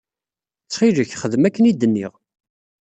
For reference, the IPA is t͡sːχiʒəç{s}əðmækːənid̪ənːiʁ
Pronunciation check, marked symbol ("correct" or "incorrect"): incorrect